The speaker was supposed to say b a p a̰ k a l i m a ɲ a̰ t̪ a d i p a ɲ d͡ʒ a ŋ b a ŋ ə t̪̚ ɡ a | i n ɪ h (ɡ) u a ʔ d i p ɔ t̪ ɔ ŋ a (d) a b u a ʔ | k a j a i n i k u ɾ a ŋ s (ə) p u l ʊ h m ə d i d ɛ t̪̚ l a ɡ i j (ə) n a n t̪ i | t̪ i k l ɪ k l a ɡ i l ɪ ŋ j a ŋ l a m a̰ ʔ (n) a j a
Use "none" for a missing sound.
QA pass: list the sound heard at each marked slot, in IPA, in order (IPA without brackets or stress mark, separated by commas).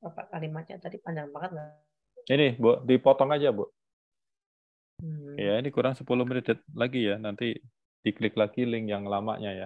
b, d͡ʒ, ə, a, ɲ